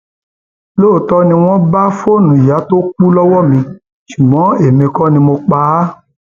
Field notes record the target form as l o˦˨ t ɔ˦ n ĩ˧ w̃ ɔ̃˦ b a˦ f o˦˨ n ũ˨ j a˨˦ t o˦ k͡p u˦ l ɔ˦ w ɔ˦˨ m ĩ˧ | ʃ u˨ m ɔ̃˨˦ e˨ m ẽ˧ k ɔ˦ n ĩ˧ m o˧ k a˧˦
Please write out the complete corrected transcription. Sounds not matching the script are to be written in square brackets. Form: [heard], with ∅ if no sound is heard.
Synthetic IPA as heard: l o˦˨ t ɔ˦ n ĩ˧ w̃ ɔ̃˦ b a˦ f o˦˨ n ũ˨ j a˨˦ t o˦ k͡p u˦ l ɔ˦ w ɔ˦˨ m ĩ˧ | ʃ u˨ m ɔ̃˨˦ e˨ m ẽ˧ k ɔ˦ n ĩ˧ m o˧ [k͡p] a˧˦